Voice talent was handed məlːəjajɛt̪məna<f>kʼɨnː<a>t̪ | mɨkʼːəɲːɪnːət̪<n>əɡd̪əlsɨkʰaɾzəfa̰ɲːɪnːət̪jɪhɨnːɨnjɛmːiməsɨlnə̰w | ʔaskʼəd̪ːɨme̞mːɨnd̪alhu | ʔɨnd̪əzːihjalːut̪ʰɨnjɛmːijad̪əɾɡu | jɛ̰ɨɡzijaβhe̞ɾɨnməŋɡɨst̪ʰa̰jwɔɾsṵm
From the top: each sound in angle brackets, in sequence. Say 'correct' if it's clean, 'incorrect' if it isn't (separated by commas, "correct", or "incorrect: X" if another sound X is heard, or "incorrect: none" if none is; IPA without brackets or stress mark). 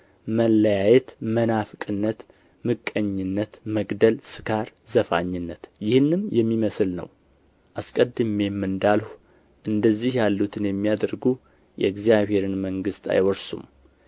correct, incorrect: ə, incorrect: m